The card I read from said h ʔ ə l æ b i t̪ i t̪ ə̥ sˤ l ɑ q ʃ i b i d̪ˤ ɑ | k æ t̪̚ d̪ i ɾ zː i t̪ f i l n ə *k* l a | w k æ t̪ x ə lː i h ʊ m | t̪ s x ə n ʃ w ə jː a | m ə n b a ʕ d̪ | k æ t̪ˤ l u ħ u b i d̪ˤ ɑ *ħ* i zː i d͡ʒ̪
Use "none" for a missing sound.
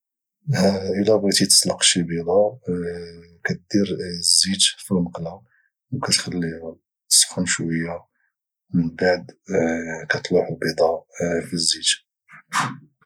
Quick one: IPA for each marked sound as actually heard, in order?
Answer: q, f

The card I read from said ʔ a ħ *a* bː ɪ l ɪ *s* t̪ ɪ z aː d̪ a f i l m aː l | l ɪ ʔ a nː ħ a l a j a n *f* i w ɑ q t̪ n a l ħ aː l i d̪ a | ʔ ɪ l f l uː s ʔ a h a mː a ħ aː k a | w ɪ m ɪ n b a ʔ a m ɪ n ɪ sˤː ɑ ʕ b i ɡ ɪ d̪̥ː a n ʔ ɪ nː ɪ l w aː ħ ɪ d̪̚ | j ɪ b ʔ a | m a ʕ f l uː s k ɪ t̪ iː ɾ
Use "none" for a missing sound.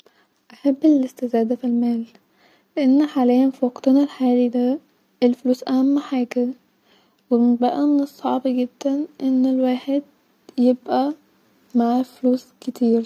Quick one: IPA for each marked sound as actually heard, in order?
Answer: a, s, f

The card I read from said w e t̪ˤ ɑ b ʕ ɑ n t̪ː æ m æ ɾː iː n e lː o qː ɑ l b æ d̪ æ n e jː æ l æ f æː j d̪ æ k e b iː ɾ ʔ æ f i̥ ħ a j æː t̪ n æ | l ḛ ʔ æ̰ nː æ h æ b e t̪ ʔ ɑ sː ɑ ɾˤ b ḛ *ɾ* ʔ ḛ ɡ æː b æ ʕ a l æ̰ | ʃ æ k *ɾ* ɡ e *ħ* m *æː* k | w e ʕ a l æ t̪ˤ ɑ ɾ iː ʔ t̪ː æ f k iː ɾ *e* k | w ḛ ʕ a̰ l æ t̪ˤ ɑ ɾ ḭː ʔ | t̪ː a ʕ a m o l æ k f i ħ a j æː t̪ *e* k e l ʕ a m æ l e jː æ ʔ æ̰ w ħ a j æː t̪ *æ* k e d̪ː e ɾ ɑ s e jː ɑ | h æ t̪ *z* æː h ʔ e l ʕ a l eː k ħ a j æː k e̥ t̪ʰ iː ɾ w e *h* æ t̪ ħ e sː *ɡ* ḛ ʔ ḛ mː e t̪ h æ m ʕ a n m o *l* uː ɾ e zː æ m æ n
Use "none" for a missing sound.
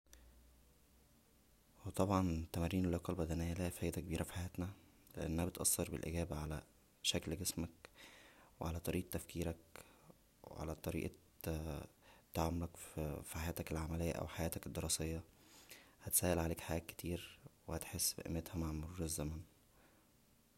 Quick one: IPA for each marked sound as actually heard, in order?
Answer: l, l, s, æ, æ, æ, æ, s, h, b, ɾ

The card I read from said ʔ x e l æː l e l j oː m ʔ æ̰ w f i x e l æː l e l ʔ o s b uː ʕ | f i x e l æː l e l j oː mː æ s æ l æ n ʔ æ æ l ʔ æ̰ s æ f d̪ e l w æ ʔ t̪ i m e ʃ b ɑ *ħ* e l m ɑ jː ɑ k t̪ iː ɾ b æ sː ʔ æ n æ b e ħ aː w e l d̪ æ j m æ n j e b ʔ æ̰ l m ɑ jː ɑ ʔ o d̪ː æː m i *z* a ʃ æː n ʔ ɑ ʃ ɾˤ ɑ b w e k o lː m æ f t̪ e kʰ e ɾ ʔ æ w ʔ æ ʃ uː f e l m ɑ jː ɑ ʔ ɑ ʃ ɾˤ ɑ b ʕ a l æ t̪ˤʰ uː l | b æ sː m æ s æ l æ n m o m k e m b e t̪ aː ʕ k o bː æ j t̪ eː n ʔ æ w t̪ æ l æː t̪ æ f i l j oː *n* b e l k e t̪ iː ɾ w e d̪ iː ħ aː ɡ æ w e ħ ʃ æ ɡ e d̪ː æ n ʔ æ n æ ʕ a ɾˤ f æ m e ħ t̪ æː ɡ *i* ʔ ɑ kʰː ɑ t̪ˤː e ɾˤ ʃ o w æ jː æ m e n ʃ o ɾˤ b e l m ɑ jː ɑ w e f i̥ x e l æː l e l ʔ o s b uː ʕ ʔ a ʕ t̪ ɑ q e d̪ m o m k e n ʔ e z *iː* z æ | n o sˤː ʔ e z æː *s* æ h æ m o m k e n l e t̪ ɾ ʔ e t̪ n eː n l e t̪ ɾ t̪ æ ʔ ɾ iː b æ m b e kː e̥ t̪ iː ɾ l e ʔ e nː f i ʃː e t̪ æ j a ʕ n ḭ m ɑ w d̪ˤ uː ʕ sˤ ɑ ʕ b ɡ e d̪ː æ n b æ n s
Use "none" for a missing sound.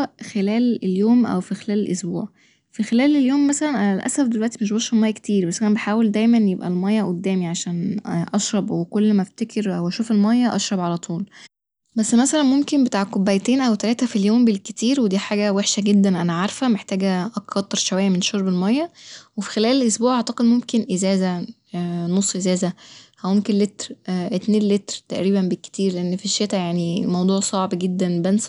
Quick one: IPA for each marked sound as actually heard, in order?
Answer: ʃ, ʕ, m, æ, æː, z

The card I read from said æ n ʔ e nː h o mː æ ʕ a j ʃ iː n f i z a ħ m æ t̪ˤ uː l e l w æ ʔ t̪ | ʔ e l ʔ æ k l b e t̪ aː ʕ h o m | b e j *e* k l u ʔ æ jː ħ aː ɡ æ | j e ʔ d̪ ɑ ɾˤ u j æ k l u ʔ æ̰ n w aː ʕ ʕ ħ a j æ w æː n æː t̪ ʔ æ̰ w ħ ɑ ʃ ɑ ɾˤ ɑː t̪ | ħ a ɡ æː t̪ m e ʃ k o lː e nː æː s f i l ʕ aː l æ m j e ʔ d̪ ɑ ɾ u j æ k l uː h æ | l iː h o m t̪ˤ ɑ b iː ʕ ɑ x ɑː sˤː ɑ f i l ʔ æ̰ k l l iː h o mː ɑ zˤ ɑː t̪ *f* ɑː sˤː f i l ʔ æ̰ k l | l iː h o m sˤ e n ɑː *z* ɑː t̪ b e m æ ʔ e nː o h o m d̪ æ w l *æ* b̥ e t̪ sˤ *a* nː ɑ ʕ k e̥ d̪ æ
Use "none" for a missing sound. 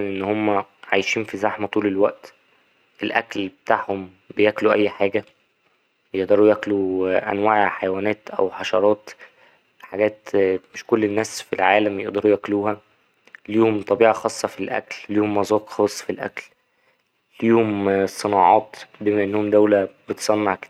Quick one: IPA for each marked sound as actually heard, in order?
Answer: æ, x, ʕ, æ, ɑ

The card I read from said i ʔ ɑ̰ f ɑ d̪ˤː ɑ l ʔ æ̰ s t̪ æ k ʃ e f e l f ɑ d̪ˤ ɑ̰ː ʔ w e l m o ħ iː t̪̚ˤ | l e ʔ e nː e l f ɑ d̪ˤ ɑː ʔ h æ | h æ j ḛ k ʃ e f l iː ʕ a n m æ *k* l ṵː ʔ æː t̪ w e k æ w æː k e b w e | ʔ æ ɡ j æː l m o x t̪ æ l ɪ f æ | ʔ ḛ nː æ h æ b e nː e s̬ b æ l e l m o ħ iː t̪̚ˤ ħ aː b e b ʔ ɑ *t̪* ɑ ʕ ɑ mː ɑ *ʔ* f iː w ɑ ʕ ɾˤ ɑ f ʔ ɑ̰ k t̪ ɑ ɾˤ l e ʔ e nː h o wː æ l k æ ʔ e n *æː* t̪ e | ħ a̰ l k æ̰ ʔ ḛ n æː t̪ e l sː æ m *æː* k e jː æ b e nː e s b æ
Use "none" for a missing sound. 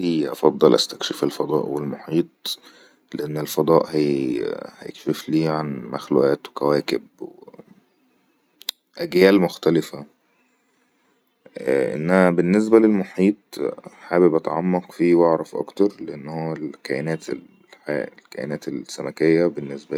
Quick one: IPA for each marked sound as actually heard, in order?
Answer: x, t̪, q, æː, æ

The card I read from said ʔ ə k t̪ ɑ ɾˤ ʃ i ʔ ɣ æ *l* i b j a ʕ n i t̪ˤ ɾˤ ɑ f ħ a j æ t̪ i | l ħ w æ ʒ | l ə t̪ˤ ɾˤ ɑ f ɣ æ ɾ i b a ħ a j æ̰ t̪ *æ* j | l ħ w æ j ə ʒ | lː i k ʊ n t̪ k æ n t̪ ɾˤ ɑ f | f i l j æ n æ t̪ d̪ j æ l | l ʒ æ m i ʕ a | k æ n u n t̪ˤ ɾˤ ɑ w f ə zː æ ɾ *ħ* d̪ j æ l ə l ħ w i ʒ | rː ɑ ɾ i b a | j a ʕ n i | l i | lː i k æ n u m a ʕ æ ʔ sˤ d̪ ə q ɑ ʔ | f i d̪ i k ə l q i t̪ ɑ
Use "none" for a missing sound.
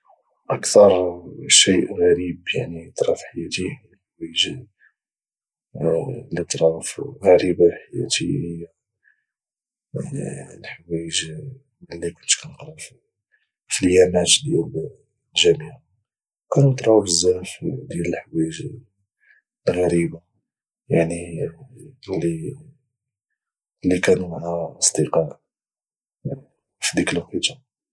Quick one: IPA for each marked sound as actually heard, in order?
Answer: ɾ, i, f

